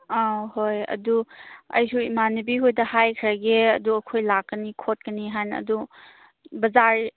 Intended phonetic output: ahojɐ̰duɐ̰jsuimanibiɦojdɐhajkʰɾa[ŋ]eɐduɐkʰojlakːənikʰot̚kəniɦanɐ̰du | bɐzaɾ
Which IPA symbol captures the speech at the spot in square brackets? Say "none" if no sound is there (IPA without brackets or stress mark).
ɡ